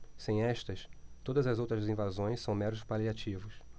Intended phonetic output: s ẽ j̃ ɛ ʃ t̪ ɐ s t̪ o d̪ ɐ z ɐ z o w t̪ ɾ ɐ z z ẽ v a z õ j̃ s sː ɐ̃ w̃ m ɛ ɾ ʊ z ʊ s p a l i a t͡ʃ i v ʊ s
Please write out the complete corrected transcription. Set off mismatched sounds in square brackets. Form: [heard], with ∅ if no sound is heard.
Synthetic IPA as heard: s ẽ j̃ ɛ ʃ t̪ ɐ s t̪ o d̪ ɐ z ɐ z o w t̪ ɾ ɐ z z [ĩ] v a z õ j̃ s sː ɐ̃ w̃ m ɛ ɾ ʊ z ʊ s p a l i a t͡ʃ i v ʊ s